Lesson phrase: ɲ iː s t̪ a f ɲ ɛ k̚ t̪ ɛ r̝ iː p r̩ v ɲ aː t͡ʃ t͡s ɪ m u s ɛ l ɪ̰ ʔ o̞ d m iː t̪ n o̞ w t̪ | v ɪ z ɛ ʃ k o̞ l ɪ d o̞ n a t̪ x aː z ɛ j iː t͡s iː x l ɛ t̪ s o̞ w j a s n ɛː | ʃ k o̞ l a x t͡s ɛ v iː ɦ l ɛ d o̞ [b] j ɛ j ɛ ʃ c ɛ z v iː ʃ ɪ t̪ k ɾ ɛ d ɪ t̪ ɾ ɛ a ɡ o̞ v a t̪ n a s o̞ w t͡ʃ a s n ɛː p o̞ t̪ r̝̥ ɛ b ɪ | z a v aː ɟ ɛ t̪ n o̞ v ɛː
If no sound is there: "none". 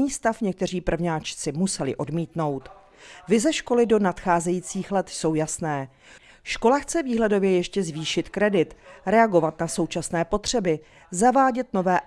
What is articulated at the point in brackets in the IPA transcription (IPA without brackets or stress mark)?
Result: v